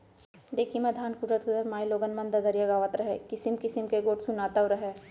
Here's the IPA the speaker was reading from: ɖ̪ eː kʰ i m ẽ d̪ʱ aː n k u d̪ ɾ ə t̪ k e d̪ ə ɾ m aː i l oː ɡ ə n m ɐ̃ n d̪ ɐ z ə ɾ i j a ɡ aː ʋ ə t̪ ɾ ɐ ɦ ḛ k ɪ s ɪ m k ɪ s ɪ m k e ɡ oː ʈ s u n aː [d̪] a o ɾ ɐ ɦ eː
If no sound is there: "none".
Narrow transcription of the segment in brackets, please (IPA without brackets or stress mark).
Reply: t̪